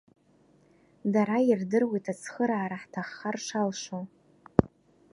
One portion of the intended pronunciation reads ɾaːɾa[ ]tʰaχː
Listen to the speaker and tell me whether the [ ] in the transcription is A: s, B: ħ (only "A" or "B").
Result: B